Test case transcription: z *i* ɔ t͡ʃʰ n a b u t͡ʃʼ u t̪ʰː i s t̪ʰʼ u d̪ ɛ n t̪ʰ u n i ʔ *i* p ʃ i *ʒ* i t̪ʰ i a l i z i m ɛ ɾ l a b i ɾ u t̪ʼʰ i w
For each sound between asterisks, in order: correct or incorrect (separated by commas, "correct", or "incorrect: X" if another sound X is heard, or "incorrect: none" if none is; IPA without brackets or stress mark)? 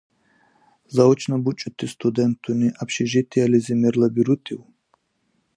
incorrect: a, incorrect: a, correct